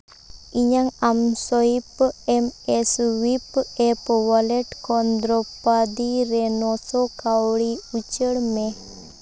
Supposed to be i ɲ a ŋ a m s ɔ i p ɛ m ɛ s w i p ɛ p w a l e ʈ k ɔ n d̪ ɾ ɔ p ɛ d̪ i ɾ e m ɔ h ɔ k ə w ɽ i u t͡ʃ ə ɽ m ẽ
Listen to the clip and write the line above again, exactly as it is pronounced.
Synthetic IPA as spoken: i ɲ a ŋ a m s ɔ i p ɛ m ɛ s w i p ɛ p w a l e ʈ k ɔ n d̪ ɾ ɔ p a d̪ i ɾ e n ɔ s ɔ k a w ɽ i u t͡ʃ ə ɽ m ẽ